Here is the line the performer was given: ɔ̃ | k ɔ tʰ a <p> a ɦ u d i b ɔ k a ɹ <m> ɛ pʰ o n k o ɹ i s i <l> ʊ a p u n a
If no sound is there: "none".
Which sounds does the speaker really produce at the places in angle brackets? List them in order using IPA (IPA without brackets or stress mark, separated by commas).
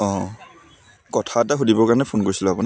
t, n, l